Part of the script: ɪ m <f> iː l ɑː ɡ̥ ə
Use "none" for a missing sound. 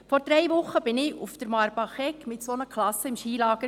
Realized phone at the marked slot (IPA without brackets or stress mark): ʃ